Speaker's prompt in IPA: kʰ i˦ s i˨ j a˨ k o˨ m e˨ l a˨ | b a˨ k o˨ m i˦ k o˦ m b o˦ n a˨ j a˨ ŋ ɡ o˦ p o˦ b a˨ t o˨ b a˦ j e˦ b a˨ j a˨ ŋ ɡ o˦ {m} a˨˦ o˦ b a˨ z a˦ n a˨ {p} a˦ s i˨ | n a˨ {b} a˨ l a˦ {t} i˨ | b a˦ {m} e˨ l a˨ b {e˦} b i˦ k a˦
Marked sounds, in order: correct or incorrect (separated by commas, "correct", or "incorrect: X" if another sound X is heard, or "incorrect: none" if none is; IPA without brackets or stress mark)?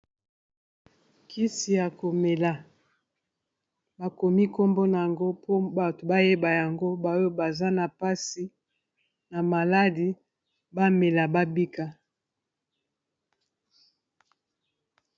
incorrect: b, correct, incorrect: m, incorrect: d, correct, incorrect: a˦